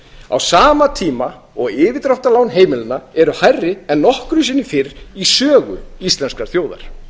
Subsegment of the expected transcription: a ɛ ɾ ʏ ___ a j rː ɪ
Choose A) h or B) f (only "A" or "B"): A